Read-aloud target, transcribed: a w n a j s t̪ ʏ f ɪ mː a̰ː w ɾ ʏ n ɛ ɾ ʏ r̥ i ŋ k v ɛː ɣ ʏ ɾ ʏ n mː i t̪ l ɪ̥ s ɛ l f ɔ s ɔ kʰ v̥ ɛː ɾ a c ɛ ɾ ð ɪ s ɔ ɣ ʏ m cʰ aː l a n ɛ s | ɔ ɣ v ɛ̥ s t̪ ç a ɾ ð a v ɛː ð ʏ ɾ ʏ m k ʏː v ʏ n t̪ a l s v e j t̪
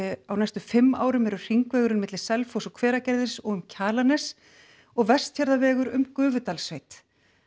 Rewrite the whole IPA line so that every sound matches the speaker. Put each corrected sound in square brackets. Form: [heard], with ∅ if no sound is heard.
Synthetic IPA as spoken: a w n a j s t̪ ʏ f ɪ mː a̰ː w ɾ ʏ [m] ɛ ɾ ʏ r̥ i ŋ k v ɛː ɣ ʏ ɾ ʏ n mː [ɪ] t̪ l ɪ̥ s ɛ l f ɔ s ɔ kʰ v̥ ɛː ɾ a c ɛ ɾ ð ɪ s ɔ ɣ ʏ m cʰ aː l a n ɛ s | ɔ ɣ v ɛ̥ s t̪ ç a ɾ ð a v ɛː [ɣ] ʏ ɾ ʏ m k ʏː v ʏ [∅] t̪ a l s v e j t̪